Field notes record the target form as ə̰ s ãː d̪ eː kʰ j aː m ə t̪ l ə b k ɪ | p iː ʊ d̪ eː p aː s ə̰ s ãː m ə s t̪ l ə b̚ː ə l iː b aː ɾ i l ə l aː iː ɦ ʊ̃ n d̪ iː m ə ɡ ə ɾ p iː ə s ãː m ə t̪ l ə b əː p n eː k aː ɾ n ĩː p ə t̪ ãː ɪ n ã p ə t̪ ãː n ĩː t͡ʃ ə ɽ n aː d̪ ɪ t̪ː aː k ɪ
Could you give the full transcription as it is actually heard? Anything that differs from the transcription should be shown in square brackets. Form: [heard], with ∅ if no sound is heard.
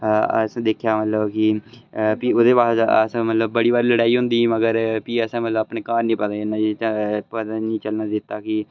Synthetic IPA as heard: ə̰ s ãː d̪ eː kʰ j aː m ə t̪ l ə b k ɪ | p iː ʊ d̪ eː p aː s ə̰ s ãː m ə [∅] t̪ l ə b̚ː ə [ɽ] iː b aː ɾ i l ə [ɽ] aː iː ɦ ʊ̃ n d̪ iː m ə ɡ ə ɾ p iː ə s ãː m ə t̪ l ə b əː p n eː k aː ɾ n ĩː p ə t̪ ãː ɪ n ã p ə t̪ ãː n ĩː t͡ʃ ə [l] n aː d̪ ɪ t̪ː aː k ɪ